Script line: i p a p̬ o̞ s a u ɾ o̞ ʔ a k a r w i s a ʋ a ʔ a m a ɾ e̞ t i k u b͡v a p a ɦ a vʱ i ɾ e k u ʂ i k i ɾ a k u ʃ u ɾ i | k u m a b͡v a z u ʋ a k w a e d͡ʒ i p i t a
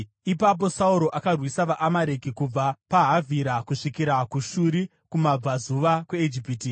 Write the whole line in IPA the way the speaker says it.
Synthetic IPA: i p a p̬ o̞ s a u ɾ o̞ ʔ a k a r w i s a ʋ a ʔ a m a ɾ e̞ k i k u b͡v a p a ɦ a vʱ i ɾ a k u ʂ i k i ɾ a k u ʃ u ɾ i | k u m a b͡v a z u ʋ a k w e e d͡ʒ i p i t i